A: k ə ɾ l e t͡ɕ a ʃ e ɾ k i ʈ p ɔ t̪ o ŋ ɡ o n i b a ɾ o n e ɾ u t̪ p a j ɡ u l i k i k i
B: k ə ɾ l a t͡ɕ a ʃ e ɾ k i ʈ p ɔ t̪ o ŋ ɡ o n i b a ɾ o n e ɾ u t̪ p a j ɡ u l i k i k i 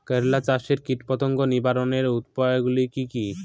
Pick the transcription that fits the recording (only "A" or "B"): B